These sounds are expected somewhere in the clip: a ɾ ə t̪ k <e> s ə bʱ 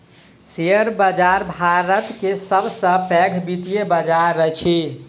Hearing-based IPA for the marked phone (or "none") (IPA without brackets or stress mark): e